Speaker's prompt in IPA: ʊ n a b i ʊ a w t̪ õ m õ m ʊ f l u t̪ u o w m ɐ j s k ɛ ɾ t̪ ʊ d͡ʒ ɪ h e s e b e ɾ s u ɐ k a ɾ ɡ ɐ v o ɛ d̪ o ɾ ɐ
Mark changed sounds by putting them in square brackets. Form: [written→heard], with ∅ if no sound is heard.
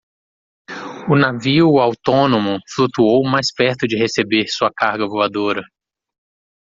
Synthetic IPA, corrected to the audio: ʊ n a [b→v] i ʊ a w t̪ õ [m→n] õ m ʊ f l u t̪ u o w m [ɐ→a] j s [k→p] ɛ ɾ t̪ ʊ d͡ʒ ɪ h e s e b e ɾ s u ɐ k a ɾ ɡ ɐ v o [ɛ→a] d̪ o ɾ ɐ